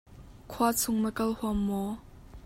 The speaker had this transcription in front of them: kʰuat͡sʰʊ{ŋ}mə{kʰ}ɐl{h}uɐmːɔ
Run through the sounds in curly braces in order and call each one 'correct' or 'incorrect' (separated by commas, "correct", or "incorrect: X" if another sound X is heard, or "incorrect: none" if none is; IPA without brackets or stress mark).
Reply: correct, incorrect: k, correct